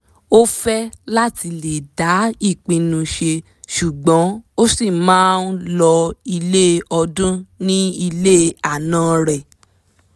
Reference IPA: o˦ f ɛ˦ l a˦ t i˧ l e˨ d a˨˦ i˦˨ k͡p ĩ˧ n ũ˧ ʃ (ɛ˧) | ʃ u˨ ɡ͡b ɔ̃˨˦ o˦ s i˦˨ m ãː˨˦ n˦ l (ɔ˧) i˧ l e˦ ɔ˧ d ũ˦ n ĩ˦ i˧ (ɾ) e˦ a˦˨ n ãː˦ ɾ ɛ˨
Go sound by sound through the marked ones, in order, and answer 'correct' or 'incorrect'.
incorrect: e˧, correct, incorrect: l

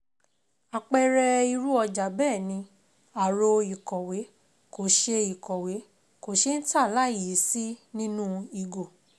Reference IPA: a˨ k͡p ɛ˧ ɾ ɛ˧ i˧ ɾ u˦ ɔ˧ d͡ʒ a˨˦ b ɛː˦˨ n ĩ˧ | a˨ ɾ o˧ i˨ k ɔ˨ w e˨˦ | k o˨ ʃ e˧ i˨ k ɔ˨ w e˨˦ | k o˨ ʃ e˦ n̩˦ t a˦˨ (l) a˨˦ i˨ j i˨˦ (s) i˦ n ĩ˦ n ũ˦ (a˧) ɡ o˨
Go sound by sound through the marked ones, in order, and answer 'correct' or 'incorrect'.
correct, correct, incorrect: i˧

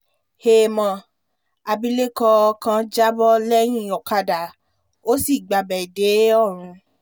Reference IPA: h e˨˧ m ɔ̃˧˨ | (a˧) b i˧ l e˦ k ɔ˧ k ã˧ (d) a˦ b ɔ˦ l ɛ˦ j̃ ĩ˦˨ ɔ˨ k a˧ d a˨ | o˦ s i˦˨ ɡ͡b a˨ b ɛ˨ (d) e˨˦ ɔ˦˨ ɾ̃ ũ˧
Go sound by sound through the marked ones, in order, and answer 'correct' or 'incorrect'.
correct, incorrect: d͡ʒ, correct

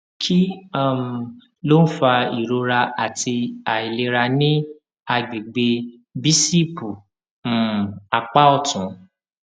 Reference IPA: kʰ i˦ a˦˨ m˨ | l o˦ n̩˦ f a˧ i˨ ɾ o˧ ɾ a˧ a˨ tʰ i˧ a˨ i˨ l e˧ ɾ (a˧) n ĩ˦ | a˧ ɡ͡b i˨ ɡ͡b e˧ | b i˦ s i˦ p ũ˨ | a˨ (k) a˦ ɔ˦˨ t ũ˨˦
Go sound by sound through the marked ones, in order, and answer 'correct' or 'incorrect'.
correct, incorrect: k͡p

